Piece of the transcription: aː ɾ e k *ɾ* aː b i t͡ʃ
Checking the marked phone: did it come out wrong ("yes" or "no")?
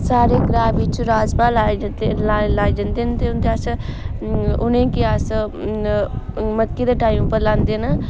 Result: no